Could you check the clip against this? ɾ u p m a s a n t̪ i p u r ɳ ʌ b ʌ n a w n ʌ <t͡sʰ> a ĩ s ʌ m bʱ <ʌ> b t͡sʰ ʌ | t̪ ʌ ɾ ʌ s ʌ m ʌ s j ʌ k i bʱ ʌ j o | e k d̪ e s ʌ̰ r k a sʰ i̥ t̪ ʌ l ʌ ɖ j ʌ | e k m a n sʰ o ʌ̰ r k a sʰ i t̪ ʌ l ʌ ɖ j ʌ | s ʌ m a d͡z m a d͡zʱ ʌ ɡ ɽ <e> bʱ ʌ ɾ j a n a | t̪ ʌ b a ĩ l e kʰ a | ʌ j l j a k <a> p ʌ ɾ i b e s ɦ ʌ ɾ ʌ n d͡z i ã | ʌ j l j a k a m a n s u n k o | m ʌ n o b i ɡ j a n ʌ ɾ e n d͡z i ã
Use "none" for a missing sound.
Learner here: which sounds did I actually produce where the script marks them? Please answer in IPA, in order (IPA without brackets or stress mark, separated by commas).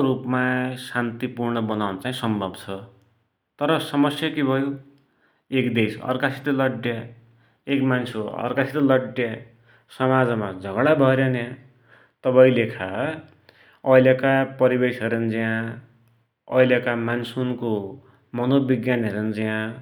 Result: t͡s, ʌ, a, a